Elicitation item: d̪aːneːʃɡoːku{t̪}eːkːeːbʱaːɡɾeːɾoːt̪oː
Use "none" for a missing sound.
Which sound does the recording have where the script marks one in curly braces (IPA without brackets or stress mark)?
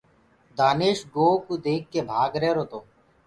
d̪